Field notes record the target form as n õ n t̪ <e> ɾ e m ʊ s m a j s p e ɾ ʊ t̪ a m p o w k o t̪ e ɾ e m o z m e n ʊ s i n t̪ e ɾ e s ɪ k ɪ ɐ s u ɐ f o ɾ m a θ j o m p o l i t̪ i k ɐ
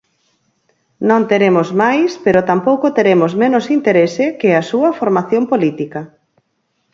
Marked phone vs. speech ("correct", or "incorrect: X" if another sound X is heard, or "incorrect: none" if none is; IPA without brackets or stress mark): correct